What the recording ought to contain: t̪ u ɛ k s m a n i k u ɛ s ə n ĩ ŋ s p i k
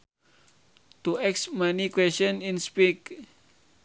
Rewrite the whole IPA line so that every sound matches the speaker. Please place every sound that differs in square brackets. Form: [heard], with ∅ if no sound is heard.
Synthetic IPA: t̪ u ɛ k s m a n i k [w] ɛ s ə n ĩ [n] s p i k